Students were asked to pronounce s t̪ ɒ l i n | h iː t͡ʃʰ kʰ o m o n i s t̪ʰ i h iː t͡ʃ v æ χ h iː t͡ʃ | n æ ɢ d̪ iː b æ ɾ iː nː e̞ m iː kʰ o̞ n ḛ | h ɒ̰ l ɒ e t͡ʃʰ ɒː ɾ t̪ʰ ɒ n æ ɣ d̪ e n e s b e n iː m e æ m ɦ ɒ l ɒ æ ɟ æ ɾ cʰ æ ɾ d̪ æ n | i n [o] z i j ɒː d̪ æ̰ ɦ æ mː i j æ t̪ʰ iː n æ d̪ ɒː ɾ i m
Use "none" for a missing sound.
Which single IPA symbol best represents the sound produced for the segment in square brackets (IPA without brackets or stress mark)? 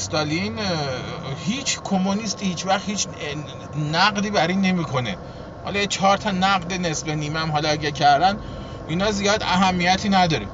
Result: ɒ